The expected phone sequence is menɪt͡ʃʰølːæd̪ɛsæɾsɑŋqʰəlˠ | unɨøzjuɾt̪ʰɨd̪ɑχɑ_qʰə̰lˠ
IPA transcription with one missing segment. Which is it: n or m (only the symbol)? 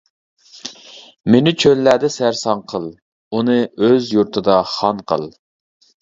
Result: n